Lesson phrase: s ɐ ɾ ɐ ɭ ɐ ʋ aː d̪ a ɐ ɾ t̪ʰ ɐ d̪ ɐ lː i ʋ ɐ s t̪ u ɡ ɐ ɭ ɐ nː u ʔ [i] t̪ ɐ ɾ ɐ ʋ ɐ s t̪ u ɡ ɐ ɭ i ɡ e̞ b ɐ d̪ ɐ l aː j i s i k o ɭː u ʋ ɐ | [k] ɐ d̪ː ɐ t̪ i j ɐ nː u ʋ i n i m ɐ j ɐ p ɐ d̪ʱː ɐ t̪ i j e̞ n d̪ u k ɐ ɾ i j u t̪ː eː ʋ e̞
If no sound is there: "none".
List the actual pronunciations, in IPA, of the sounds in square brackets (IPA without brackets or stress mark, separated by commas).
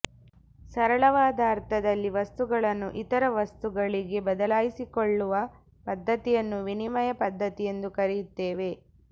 i, p